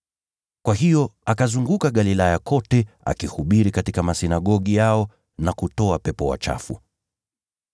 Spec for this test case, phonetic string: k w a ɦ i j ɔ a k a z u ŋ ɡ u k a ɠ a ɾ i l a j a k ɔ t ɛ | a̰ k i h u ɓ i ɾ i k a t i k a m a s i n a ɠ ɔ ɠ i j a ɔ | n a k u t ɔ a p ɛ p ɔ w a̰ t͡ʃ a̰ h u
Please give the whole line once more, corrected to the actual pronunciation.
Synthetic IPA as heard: k w a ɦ i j ɔ a k a z u ŋ ɡ u k a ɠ a l i l a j a k ɔ t ɛ | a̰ k i h u ɓ i ɾ i k a t i k a m a s i n a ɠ ɔ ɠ i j a ɔ | n a k u t ɔ a p ɛ p ɔ w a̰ t͡ʃ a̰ f u